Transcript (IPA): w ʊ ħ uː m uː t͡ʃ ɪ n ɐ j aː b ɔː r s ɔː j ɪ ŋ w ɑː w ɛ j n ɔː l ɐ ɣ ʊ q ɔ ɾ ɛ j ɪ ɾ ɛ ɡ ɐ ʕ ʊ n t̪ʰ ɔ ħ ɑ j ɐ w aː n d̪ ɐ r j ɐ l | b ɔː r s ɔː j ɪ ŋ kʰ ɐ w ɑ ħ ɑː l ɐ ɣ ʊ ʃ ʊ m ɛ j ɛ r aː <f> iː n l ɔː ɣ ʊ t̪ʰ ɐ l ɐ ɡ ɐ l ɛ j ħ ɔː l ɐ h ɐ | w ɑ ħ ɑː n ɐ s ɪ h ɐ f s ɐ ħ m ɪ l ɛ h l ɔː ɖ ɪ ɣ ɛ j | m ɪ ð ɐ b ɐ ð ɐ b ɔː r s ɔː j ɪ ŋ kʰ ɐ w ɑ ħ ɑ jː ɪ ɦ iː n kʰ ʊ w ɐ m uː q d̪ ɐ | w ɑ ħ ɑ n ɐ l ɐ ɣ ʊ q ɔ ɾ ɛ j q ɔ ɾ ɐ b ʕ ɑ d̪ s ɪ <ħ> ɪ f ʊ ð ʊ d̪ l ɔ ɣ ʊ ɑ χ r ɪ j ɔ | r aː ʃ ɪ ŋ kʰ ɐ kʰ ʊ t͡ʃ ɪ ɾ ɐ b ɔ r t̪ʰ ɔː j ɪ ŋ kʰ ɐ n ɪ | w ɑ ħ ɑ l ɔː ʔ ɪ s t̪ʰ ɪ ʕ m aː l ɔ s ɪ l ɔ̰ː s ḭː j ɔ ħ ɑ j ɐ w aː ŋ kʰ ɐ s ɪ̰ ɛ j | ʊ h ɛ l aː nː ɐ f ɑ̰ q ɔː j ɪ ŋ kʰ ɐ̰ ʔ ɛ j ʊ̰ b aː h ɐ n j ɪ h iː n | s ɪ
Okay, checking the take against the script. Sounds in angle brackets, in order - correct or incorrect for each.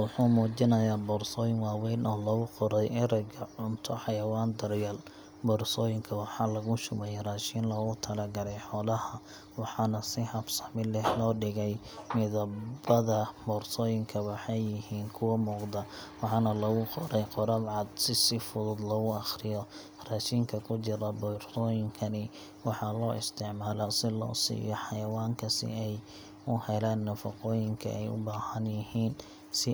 incorrect: ʃ, incorrect: s

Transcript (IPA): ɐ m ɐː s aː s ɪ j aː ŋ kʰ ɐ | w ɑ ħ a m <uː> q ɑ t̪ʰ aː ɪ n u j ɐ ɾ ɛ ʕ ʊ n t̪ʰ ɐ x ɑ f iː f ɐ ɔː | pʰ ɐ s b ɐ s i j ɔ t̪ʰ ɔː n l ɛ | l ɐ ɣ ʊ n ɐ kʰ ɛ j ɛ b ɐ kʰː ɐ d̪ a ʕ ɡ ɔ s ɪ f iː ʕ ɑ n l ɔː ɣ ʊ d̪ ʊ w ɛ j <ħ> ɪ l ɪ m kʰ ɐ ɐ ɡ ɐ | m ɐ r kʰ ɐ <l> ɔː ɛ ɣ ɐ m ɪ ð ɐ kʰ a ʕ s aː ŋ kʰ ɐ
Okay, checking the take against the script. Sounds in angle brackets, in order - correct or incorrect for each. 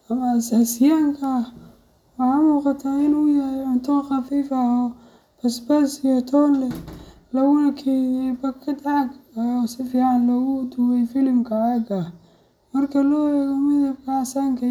correct, incorrect: f, correct

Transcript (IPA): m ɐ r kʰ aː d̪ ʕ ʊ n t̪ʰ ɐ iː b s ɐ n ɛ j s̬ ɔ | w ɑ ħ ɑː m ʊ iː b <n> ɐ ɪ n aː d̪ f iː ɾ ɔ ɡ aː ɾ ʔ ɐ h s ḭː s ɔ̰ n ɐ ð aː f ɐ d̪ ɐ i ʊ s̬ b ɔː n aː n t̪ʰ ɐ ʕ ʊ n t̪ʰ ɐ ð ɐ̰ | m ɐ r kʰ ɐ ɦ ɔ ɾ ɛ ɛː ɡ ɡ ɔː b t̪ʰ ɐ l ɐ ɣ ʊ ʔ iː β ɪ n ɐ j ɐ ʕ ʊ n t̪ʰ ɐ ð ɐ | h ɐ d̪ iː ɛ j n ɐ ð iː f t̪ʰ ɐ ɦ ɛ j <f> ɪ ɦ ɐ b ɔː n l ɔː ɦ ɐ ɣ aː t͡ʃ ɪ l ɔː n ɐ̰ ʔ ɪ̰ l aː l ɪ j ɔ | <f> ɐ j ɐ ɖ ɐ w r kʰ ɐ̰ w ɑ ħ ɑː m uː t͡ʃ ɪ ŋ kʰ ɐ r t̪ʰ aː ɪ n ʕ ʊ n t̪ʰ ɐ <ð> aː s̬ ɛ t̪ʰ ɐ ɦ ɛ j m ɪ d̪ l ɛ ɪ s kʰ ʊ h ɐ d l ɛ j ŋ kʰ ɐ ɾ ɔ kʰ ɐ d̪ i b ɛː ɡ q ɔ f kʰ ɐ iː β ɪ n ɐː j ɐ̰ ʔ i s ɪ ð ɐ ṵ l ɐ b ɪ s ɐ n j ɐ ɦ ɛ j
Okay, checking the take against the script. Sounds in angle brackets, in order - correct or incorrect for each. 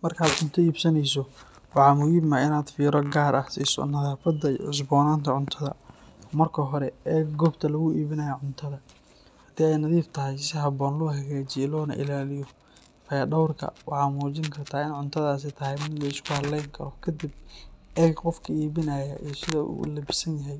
incorrect: m, incorrect: s, correct, correct

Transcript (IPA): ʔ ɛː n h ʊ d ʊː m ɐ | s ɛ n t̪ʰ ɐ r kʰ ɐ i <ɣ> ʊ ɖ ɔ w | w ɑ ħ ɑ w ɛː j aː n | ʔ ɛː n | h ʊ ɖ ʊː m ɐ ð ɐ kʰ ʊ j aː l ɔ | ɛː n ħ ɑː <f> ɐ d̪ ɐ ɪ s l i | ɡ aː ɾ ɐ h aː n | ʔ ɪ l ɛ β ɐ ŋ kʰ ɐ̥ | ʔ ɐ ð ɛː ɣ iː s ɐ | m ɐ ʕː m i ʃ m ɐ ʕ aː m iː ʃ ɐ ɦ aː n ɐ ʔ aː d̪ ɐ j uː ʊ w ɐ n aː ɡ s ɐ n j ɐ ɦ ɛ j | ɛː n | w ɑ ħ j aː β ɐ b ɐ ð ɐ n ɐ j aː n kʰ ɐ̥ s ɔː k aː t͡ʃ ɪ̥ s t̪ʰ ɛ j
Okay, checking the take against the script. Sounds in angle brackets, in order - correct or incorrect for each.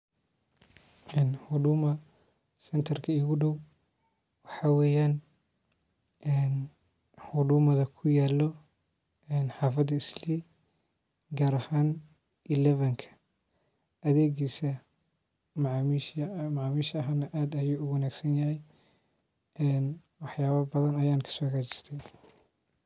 correct, correct

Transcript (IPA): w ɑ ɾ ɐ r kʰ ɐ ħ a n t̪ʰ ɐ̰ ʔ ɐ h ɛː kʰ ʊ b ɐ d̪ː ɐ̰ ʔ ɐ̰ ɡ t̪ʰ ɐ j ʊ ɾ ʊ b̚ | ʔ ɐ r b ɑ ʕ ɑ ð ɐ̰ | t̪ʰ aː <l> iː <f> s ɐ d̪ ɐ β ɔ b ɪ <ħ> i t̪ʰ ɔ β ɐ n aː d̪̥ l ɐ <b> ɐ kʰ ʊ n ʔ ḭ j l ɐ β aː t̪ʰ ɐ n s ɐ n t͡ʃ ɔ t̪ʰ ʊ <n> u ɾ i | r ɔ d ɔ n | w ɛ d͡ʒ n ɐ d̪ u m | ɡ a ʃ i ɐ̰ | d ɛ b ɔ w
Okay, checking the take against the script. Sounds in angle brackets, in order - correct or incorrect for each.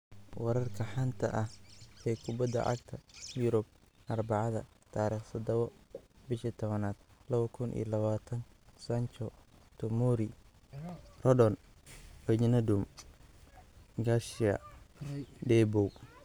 incorrect: ɾ, incorrect: χ, incorrect: ʃ, incorrect: β, incorrect: m

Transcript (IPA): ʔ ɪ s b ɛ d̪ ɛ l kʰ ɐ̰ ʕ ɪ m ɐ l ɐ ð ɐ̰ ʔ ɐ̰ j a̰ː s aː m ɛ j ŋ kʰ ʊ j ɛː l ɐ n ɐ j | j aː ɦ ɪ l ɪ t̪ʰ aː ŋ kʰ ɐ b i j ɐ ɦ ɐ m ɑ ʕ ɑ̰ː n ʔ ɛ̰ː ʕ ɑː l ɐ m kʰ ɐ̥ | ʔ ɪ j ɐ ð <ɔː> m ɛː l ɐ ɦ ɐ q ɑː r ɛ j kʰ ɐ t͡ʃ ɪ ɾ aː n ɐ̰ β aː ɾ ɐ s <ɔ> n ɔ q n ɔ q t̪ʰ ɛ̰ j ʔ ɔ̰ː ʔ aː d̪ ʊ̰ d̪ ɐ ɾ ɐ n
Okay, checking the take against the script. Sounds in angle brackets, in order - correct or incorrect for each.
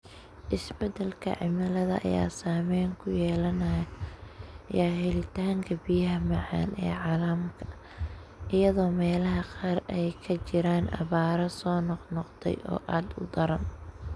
correct, incorrect: ɔː

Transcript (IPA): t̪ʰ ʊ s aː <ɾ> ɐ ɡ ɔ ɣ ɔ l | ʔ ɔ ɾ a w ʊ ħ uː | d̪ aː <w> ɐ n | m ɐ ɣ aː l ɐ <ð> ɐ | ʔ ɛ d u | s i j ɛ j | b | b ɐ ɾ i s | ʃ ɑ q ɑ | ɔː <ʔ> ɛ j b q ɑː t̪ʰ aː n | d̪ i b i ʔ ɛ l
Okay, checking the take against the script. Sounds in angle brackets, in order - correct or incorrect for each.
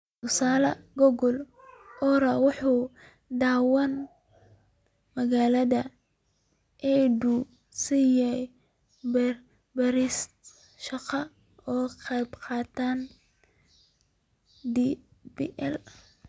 incorrect: l, correct, correct, incorrect: q

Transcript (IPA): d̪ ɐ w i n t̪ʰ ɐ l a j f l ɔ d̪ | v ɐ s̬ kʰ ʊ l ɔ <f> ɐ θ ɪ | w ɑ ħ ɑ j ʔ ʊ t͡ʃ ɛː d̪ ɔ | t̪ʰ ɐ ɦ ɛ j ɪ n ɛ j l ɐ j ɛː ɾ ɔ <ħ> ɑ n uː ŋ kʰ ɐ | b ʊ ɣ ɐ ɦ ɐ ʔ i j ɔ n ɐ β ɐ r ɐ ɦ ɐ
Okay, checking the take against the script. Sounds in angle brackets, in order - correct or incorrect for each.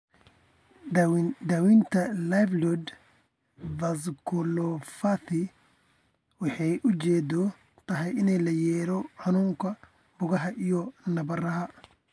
correct, correct

